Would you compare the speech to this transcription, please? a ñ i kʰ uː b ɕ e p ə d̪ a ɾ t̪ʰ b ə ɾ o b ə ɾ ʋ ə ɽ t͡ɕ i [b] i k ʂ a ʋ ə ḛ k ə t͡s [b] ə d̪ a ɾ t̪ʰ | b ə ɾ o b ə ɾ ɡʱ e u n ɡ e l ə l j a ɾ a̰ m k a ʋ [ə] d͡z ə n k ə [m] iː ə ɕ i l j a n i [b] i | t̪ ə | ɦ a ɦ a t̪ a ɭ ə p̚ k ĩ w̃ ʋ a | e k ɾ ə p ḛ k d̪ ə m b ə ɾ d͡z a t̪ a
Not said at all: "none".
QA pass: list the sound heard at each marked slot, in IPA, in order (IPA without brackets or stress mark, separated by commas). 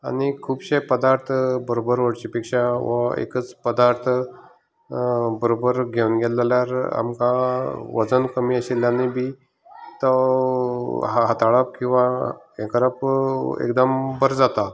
p, p, ə, m, b